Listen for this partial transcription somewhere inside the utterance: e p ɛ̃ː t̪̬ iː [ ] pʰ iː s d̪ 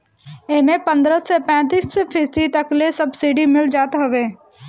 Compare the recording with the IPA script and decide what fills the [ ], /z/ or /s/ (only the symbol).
s